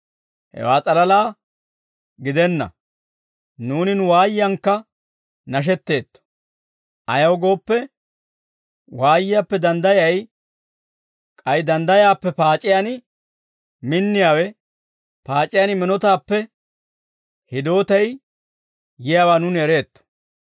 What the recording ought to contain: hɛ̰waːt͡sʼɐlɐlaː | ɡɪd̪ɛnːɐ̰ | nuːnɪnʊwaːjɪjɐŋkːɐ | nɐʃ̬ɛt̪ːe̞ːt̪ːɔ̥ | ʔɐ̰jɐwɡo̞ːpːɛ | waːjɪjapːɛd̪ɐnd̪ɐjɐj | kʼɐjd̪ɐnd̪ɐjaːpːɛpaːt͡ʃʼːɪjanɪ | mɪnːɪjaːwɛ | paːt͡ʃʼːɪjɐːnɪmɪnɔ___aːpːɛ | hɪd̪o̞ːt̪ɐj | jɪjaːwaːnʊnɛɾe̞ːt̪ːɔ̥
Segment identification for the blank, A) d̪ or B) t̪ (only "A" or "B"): B